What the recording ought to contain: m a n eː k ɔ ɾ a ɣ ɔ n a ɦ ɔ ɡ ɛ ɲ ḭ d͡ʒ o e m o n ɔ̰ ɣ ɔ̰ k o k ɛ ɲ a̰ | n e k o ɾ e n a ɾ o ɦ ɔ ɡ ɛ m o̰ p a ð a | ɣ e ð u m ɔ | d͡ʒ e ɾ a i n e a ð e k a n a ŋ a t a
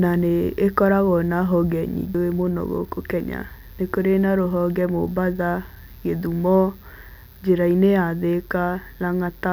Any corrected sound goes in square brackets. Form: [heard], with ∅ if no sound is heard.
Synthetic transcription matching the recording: [n] a n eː k ɔ ɾ a ɣ ɔ n a ɦ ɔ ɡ ɛ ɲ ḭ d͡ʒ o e m o n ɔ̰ ɣ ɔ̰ k o k ɛ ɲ a̰ | n e k o ɾ e n a ɾ o ɦ ɔ ɡ ɛ m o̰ [b] a ð a | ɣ e ð u m ɔ | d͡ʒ e ɾ a i n e a ð e k a n a ŋ a t a